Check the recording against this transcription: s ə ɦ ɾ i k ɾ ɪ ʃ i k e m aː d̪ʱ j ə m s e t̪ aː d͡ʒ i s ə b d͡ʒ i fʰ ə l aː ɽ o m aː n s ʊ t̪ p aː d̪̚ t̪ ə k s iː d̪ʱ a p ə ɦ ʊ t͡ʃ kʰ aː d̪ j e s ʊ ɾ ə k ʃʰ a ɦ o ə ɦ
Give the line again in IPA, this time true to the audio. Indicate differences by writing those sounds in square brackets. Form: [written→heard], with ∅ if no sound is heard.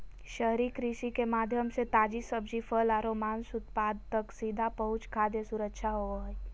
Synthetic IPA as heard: [s→ʃ] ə ɦ ɾ i k ɾ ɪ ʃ i k e m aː d̪ʱ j ə m s e t̪ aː d͡ʒ i s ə b d͡ʒ i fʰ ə l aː [ɽ→ɾ] o m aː n s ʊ t̪ p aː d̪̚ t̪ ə k s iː d̪ʱ a p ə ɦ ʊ t͡ʃ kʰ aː d̪ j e s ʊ ɾ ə k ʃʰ a ɦ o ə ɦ